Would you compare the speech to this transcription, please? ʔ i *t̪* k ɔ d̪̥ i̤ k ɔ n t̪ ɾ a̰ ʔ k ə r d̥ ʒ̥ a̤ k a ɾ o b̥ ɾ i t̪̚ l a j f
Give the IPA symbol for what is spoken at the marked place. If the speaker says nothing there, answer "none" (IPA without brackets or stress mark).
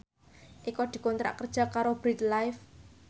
none